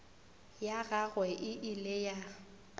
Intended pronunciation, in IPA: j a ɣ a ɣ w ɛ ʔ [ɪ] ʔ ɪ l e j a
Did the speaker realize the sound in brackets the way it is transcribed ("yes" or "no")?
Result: yes